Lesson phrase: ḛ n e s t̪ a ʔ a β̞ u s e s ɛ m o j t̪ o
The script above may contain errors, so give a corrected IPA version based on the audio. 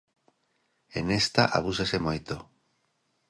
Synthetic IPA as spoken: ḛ n e s t̪ a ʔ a β̞ u s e s e m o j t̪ o